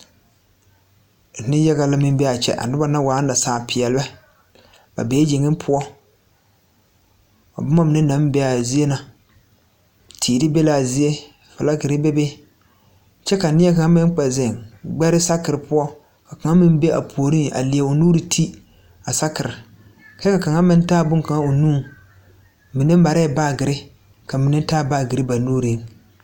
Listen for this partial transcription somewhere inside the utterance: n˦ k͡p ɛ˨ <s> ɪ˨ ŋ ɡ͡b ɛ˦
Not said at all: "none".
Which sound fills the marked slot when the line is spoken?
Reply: z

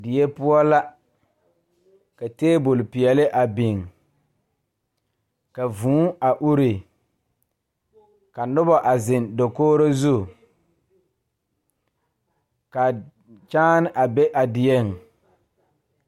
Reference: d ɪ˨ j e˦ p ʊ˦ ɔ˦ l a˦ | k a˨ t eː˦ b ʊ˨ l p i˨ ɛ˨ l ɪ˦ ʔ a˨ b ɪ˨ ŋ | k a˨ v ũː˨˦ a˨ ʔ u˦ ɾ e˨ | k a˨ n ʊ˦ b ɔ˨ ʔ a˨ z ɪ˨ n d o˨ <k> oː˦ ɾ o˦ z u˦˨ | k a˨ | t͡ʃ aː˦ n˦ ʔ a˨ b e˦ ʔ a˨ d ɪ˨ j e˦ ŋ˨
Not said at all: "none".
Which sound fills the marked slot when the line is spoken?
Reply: k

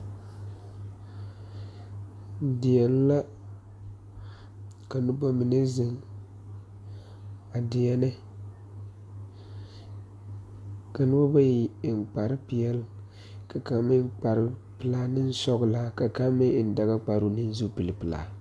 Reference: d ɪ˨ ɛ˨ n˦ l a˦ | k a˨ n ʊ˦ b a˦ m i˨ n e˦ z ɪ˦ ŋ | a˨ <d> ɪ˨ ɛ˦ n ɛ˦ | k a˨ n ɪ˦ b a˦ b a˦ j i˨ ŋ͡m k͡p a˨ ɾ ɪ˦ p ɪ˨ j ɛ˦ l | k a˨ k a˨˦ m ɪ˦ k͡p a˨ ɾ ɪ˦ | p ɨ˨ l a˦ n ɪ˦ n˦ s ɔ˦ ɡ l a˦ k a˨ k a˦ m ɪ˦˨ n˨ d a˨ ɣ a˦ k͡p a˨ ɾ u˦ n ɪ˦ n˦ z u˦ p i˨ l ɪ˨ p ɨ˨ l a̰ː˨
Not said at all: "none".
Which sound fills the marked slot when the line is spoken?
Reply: d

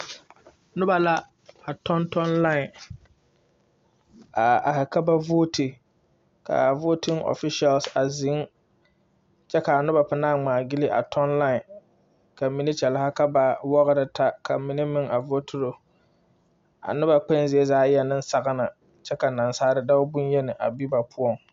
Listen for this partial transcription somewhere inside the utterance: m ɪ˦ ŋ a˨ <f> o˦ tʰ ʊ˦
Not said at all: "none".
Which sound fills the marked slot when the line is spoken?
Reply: v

